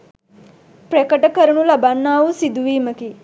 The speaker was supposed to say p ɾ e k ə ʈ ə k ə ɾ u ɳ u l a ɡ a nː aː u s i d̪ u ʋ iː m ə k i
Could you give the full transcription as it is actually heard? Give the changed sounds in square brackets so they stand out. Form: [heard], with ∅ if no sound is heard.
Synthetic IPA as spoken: p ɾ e k ə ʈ ə k ə ɾ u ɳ u l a [b] a nː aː u s i d̪ u ʋ iː m ə k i